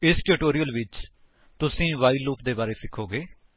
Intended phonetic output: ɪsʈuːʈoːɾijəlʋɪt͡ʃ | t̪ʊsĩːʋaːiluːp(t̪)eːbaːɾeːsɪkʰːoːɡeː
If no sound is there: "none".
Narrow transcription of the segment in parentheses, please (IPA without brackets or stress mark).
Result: d̪